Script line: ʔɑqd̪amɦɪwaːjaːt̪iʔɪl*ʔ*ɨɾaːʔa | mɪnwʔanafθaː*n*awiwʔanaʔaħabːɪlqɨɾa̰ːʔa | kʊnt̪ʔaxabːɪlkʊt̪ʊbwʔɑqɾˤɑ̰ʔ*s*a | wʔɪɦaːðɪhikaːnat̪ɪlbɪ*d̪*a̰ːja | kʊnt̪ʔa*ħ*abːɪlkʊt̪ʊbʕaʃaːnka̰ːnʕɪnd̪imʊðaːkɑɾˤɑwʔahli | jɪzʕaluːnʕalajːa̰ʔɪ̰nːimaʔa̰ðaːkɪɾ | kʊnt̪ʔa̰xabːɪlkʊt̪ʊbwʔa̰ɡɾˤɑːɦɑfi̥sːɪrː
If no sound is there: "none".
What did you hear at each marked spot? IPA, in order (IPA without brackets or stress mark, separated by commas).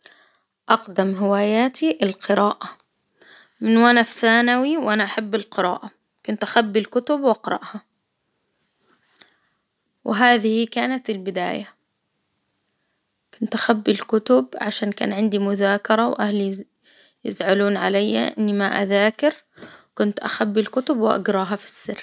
q, n, h, d̪, x